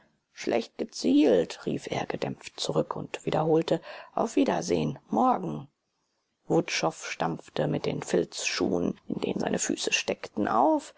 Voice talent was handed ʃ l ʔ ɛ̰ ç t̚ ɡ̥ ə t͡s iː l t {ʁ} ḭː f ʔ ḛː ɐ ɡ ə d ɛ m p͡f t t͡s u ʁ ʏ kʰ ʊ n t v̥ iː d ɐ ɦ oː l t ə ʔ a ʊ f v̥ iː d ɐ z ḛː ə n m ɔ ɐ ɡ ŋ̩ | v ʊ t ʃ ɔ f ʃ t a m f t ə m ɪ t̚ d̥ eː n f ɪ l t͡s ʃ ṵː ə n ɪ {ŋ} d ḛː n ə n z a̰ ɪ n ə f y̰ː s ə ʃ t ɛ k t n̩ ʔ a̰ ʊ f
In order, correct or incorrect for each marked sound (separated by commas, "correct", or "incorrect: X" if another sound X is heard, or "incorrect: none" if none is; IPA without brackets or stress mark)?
correct, incorrect: n